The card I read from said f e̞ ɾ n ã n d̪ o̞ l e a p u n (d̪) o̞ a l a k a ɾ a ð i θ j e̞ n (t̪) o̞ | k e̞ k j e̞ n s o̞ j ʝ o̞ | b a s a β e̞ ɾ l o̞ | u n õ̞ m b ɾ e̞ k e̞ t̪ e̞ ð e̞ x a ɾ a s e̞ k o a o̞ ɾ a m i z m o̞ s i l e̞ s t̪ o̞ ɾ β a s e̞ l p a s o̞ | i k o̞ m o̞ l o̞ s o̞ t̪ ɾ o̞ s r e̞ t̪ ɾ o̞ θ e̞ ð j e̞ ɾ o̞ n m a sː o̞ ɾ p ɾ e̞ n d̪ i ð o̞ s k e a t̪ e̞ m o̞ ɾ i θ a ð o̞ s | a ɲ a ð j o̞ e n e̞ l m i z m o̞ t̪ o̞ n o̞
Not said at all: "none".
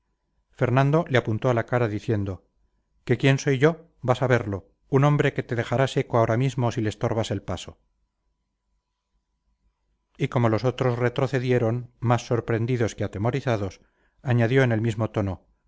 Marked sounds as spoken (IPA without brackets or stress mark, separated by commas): t̪, d̪